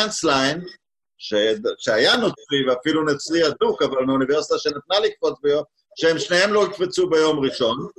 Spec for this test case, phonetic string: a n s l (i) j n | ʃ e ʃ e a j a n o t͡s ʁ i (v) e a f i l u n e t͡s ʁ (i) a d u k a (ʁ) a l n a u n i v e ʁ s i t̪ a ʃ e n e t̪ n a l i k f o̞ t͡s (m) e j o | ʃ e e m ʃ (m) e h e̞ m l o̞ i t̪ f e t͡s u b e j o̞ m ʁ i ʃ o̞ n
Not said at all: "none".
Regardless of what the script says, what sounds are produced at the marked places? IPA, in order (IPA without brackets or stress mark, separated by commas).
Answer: a, v, i, v, b, n